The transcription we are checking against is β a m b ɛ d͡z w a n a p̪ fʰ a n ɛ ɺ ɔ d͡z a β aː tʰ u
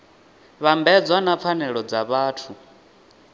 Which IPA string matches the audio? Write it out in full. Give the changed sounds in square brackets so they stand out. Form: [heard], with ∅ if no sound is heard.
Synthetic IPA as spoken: β a m b ɛ d͡z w a n a p̪ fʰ a n ɛ ɺ ɔ d͡z a β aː tʰ u